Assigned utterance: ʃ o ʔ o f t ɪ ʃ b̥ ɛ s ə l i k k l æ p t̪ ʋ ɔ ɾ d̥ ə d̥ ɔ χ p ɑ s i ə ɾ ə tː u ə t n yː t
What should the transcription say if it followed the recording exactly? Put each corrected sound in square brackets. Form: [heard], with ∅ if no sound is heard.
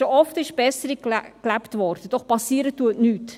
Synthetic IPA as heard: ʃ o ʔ [ɔ] f t ɪ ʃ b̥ ɛ s ə [ɾ] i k k l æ p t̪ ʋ ɔ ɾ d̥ ə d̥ ɔ χ p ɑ s i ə ɾ ə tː u ə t n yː t